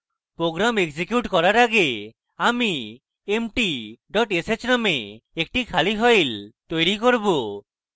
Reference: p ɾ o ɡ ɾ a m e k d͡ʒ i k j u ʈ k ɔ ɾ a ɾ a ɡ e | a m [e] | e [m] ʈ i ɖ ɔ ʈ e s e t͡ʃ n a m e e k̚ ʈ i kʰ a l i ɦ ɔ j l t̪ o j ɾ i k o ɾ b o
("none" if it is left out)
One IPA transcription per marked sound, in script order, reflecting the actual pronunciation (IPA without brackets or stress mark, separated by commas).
i, m